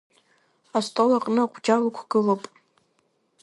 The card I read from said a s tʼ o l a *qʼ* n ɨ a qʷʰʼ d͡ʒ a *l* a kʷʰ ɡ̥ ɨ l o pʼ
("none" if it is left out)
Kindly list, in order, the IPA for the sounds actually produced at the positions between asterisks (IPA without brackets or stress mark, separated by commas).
qʼ, l